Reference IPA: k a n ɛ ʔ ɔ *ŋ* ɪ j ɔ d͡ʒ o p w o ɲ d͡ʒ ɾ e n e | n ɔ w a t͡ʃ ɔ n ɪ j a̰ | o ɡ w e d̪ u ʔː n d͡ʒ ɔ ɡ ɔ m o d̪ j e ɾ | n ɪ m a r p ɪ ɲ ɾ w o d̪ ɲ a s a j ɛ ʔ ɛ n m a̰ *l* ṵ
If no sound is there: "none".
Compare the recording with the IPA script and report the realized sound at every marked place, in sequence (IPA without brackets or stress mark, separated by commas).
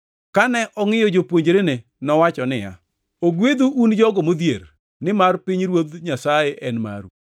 ŋ, ɾ